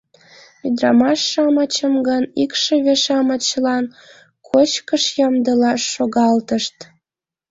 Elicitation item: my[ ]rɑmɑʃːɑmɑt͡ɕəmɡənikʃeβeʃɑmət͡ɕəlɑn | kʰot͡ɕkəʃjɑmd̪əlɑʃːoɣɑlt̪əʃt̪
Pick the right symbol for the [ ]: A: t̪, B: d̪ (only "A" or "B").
B